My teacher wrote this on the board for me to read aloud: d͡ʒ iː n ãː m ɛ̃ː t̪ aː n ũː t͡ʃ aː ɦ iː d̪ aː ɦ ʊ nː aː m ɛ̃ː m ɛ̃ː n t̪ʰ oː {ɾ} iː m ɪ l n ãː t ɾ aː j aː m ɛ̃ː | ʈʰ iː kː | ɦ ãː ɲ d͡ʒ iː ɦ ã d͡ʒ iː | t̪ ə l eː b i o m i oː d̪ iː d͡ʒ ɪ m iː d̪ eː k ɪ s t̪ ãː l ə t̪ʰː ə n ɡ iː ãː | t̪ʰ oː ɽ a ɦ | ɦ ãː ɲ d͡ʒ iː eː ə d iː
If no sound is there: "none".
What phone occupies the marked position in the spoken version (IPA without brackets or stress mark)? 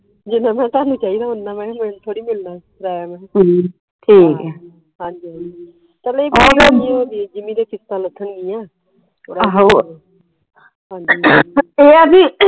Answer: ɽ